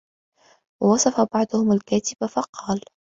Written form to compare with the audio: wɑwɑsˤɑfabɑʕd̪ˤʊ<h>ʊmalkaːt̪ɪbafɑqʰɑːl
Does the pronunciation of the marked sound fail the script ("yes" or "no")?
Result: no